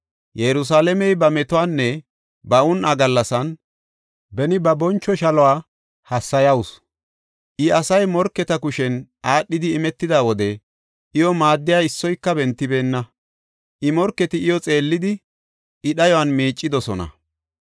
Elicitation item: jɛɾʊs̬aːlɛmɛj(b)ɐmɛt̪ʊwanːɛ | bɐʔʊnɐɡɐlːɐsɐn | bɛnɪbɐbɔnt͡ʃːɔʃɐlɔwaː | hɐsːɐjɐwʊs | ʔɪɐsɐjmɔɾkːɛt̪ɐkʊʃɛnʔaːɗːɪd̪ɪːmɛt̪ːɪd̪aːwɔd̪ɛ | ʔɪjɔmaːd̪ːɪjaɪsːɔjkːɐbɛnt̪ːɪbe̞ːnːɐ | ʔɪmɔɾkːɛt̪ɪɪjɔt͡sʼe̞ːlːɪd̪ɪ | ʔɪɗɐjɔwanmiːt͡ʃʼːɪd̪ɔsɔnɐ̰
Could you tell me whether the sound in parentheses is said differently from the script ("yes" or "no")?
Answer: no